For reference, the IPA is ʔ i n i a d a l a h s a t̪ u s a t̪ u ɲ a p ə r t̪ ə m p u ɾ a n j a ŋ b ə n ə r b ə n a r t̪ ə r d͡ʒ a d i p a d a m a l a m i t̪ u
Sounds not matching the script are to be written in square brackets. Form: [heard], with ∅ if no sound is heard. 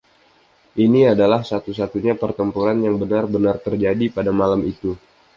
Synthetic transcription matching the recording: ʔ i n i a d a l a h s a t̪ u s a t̪ u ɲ a p ə r t̪ ə m p u ɾ a n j a ŋ b ə n [a] r b ə n a r t̪ ə r d͡ʒ a d i p a d a m a l a m i t̪ u